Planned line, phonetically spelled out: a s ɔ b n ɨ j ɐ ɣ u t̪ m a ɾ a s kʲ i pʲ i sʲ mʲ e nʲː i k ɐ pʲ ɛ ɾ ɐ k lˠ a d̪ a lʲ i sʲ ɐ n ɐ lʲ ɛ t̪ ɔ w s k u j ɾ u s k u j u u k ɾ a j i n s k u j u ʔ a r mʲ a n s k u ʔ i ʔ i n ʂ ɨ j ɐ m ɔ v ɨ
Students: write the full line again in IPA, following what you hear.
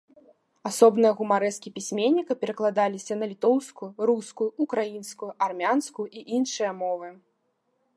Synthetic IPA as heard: a s ɔ b n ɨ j ɐ ɣ u m a ɾ ɛ s kʲ i pʲ i sʲ mʲ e nʲː i k ɐ pʲ ɛ ɾ ɐ k lˠ a d̪ a lʲ i sʲ ɐ n ɐ lʲ i t̪ ɔ w s k u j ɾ u s k u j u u k ɾ a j i n s k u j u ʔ a r mʲ a n s k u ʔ i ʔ i n ʂ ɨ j ɐ m ɔ v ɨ